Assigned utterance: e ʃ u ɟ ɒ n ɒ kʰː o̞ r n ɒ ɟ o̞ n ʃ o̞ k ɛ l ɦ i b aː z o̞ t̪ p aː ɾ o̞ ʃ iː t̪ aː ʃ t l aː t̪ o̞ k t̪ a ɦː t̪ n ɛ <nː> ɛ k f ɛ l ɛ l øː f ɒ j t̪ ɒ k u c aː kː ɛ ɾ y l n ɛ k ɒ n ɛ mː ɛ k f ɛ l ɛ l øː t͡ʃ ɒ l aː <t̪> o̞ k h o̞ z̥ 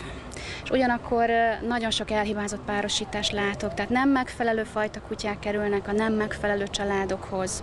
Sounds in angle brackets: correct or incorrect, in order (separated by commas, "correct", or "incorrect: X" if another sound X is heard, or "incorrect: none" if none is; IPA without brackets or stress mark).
incorrect: mː, incorrect: d̪